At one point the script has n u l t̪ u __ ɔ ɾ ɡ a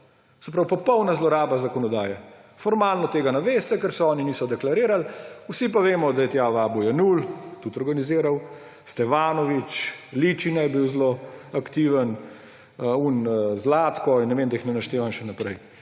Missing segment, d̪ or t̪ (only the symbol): t̪